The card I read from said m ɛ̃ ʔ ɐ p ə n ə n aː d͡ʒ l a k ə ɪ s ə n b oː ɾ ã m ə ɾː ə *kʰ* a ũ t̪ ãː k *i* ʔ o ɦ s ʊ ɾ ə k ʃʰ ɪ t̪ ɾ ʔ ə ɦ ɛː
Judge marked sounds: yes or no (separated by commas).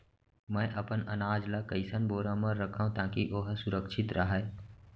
yes, yes